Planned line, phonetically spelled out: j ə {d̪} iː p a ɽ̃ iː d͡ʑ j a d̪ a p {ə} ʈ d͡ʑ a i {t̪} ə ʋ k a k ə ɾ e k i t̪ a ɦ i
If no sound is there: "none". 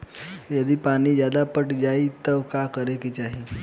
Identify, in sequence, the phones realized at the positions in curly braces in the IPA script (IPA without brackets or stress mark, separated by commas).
d̪, ə, t̪